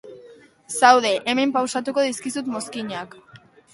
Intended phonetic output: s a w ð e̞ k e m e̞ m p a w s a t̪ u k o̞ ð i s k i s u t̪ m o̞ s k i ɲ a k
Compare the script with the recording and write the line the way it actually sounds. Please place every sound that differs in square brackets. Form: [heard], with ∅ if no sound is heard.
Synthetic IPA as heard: s a w ð e̞ [ʔ] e m e̞ m p a w s a t̪ u k o̞ ð i s k i s u t̪ m o̞ s k i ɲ a k